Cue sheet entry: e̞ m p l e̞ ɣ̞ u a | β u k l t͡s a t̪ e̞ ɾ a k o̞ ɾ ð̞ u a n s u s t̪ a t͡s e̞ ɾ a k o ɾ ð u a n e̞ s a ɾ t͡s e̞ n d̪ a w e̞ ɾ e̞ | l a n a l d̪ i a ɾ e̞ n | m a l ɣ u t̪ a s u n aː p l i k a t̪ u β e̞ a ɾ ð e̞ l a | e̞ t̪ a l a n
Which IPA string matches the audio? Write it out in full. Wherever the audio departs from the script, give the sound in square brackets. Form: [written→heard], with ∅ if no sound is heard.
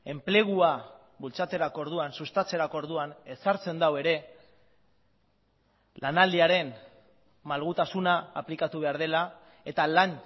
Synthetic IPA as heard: e̞ m p l e̞ ɣ̞ u a | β u [k→∅] l t͡s a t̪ e̞ ɾ a k o̞ ɾ ð̞ u a n s u s t̪ a t͡s e̞ ɾ a k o ɾ ð u a n e̞ s a ɾ t͡s e̞ n d̪ a w e̞ ɾ e̞ | l a n a l d̪ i a ɾ e̞ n | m a l ɣ u t̪ a s u n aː p l i k a t̪ u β e̞ a ɾ ð e̞ l a | e̞ t̪ a l a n